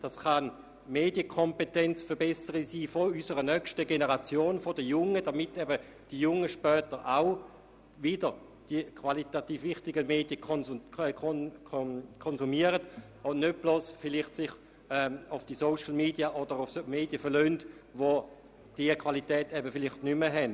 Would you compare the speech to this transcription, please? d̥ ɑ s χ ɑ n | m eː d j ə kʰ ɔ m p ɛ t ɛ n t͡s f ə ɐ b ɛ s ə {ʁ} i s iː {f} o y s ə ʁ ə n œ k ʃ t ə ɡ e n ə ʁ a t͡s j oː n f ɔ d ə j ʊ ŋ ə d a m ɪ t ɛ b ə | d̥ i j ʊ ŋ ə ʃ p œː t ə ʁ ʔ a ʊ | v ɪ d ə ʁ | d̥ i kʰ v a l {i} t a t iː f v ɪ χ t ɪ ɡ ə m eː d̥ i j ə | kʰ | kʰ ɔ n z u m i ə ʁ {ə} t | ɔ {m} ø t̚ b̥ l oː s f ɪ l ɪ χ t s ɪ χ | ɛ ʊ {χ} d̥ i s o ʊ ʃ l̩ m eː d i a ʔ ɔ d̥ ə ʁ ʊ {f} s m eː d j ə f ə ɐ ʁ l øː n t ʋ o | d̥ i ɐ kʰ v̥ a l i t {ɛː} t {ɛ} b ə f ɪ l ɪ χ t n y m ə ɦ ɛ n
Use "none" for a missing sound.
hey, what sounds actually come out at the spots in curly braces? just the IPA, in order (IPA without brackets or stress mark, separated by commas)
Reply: ʁ, f, i, ə, n, f, f, ɛː, ɛ